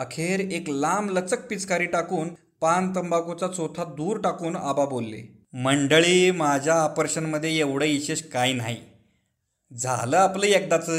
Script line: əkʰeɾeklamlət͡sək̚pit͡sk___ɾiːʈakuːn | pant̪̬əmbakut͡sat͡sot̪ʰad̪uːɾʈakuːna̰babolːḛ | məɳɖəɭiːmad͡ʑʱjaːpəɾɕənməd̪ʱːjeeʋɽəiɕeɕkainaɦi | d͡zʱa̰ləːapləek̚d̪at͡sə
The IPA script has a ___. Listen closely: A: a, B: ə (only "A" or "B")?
A